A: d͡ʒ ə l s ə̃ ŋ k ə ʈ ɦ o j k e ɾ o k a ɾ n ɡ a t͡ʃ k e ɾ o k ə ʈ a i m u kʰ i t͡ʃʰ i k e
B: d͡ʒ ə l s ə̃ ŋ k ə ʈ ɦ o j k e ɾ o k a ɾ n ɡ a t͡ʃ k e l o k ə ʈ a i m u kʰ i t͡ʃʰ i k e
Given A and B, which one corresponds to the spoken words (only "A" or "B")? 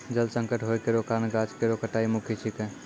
A